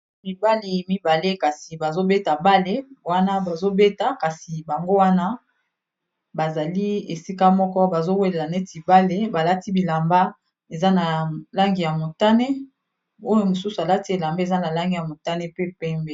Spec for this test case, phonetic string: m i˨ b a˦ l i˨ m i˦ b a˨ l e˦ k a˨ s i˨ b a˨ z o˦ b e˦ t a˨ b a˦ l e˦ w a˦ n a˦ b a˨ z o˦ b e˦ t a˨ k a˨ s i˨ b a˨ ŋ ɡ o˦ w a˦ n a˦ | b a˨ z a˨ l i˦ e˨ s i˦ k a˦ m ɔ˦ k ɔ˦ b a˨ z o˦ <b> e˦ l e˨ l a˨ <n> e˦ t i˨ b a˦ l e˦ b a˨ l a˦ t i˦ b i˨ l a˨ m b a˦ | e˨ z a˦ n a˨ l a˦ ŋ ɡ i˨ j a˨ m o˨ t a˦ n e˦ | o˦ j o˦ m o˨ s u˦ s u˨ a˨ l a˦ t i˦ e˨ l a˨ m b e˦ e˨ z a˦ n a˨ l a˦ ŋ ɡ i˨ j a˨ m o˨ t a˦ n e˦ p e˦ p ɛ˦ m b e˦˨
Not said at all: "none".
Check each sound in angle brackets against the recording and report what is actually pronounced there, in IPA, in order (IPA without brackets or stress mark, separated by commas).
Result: w, n